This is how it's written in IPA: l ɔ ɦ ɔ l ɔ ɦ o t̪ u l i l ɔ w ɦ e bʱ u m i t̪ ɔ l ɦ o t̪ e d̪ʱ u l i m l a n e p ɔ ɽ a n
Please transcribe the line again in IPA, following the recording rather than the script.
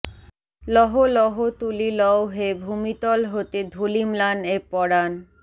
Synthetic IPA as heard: l ɔ ɦ o l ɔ ɦ o t̪ u l i l ɔ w ɦ e bʱ u m i t̪ ɔ l ɦ o t̪ e d̪ʱ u l i m l a n e p ɔ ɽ a n